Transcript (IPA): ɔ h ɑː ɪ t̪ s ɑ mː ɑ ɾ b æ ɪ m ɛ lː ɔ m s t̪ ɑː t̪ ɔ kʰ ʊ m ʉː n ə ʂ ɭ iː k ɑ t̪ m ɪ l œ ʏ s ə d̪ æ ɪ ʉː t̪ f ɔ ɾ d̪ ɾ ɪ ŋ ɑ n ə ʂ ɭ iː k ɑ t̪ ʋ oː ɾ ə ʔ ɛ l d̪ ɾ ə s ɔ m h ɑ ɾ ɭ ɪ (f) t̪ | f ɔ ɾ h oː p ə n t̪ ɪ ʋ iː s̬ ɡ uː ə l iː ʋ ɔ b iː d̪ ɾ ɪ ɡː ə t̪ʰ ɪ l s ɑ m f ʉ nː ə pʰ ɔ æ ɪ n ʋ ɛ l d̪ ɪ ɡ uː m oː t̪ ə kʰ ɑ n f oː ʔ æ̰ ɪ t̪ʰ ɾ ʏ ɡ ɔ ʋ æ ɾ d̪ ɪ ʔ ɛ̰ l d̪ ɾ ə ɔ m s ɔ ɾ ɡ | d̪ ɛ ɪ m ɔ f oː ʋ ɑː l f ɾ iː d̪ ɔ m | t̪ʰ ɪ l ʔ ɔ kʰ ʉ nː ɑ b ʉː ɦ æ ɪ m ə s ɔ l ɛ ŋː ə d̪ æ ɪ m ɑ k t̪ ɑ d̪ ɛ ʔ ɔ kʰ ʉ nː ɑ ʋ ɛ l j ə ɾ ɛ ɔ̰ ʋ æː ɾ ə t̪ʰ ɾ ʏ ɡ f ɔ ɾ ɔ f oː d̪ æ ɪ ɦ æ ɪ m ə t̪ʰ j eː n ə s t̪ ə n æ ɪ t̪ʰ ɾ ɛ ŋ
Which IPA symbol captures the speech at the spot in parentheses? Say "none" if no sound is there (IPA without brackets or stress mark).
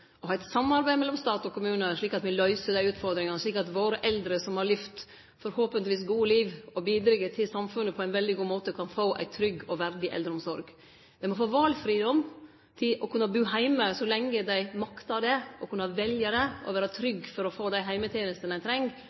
f